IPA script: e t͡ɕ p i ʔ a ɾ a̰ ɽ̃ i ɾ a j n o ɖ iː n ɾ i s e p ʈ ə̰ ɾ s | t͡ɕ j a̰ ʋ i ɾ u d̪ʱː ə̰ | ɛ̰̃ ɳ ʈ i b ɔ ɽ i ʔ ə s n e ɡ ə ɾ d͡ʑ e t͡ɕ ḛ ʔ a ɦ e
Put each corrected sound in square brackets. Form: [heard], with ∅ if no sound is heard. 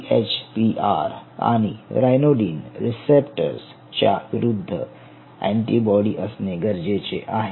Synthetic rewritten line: e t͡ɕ p i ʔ a ɾ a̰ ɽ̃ i ɾ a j n o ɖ iː n ɾ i s e p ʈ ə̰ ɾ s | t͡ɕ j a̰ ʋ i ɾ u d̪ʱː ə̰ | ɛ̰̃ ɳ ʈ i b ɔ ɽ i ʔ ə s n e ɡ ə ɾ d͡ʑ e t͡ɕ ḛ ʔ a ɦ e

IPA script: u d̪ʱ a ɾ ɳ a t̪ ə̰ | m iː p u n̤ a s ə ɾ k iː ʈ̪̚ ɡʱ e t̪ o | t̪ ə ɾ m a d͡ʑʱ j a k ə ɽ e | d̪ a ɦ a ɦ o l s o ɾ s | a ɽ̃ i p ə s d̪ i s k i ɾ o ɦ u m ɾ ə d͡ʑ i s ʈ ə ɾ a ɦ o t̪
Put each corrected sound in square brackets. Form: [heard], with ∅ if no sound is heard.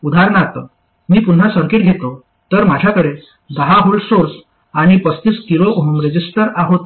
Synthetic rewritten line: u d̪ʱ a ɾ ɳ a t̪ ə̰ | m iː p u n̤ a s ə ɾ k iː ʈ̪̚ ɡʱ e t̪ o | t̪ ə ɾ m a d͡ʑʱ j a k ə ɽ e | d̪ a ɦ a ɦ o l s o ɾ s | a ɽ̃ i p ə s [t̪] i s k i ɾ o ɦ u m ɾ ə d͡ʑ i s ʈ ə ɾ a ɦ o t̪

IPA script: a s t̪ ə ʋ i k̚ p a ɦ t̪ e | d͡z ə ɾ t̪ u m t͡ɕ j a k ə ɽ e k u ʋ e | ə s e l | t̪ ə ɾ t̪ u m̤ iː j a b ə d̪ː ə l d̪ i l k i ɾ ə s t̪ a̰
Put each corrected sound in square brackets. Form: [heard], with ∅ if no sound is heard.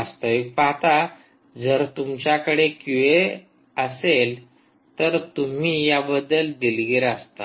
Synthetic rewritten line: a s t̪ ə ʋ i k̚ p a ɦ t̪ [a] | d͡z ə ɾ t̪ u m t͡ɕ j a k ə ɽ e k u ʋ e | ə s e l | t̪ ə ɾ t̪ u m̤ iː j a b ə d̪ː ə l d̪ i l [ɡ] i ɾ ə s t̪ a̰

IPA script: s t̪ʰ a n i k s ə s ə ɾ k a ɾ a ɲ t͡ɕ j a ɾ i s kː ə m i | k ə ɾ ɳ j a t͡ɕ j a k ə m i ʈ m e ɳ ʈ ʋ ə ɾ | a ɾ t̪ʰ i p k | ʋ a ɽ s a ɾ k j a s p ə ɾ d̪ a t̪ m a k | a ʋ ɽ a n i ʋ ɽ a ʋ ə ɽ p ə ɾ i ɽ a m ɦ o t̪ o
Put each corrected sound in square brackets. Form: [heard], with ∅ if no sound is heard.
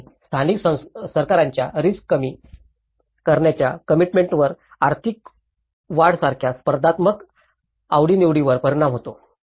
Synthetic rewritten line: s t̪ʰ a n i k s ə s ə ɾ k a ɾ a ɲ t͡ɕ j a ɾ i s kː ə m i | k ə ɾ ɳ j a t͡ɕ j a k ə m i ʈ m e ɳ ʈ ʋ ə ɾ | a ɾ t̪ʰ i [∅] k | ʋ a ɽ s a ɾ [kʰ] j a s p ə ɾ d̪ a t̪ m [ə] k | a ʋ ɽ [i] n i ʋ ɽ [i] ʋ ə [ɾ] p ə ɾ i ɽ a m ɦ o t̪ o

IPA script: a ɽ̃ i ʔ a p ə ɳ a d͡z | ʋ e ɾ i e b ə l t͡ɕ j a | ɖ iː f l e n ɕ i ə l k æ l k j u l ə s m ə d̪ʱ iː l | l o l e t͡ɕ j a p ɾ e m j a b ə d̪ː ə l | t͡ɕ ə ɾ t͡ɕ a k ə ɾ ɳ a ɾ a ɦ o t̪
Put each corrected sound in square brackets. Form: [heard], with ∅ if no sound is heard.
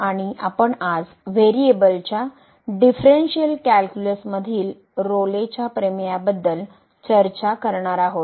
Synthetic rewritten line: a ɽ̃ i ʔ a p ə ɳ a d͡z | ʋ e ɾ i e b ə l t͡ɕ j a | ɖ [i] f [ɾ] e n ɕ i ə l k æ l k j u l ə s m ə d̪ʱ iː l | [ɾ] o l e t͡ɕ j a p ɾ e m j a b ə d̪ː ə l | t͡ɕ ə ɾ t͡ɕ a k ə ɾ ɳ a ɾ a ɦ o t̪

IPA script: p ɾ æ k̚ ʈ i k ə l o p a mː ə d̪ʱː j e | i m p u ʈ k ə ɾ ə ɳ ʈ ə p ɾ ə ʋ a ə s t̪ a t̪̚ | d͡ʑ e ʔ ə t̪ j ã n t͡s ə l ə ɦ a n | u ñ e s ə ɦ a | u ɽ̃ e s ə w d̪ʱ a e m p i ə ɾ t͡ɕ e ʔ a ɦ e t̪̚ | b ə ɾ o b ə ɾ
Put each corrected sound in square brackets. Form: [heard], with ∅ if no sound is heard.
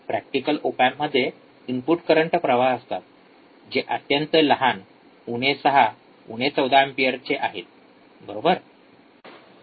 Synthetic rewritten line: p ɾ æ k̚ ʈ i k ə l o p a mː ə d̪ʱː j e | i m p u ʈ k ə ɾ ə ɳ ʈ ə p ɾ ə ʋ a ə s t̪ a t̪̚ | d͡ʑ e ʔ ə t̪ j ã n t͡s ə l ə ɦ a n | u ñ e s ə ɦ a | u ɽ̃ e [t͡s] ə w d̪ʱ a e m p i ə ɾ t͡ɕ e ʔ a ɦ e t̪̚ | b ə ɾ o b ə ɾ

